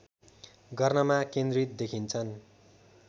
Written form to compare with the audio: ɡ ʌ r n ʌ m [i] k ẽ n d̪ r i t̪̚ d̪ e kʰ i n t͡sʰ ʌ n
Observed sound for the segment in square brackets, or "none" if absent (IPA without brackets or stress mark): a